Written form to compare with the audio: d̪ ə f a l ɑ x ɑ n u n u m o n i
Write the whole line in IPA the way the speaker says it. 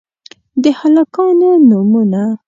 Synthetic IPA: d̪ ə h a l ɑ k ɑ n o n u m u n a